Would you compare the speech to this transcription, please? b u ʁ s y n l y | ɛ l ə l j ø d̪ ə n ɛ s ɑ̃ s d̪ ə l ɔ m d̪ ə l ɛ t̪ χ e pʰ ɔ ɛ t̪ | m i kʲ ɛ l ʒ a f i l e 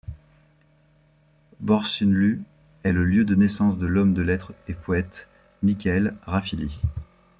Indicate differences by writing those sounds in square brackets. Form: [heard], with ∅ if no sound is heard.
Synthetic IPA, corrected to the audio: b [ɔ] ʁ s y n l y | ɛ l ə l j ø d̪ ə n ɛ s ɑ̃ s d̪ ə l ɔ m d̪ ə l ɛ t̪ χ e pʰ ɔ ɛ t̪ | m i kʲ ɛ l [ʁ] a f i l [i]